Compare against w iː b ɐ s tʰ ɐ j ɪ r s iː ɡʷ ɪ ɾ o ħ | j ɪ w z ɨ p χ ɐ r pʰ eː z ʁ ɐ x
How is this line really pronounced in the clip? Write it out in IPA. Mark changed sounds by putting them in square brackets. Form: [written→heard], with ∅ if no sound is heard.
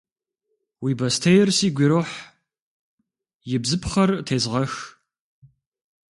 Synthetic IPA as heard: w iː b ɐ s tʰ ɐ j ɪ r s iː ɡʷ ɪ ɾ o ħ | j ɪ [w→b] z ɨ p χ ɐ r [pʰ→tʰ] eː z ʁ ɐ x